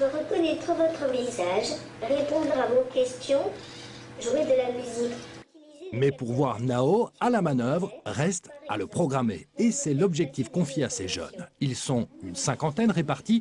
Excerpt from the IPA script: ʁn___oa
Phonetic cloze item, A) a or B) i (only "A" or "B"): A